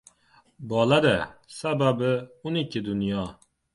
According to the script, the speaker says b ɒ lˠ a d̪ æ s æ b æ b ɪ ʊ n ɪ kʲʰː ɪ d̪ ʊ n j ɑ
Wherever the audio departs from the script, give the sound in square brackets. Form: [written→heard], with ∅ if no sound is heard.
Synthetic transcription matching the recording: b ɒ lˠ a d̪ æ s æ b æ b ɪ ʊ n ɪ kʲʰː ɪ d̪ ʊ n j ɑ